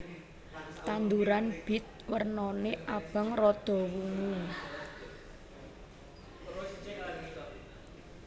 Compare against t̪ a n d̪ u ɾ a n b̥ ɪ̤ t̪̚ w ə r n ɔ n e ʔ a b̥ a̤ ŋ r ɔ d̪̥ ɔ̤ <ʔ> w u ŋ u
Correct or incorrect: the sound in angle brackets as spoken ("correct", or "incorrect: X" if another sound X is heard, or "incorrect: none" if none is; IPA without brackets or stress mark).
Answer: incorrect: none